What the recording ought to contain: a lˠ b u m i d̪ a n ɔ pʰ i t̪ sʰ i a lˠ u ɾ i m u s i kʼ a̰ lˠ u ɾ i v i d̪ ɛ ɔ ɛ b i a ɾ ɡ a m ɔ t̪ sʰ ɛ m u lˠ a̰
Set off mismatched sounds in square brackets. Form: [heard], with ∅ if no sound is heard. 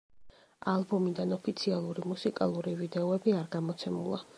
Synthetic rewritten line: a lˠ b [ɔ] m i d̪ a n ɔ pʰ i t̪ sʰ i a lˠ u ɾ i m u s i kʼ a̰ lˠ u ɾ i v i d̪ ɛ ɔ ɛ b i a ɾ ɡ a m ɔ t̪ sʰ ɛ m u lˠ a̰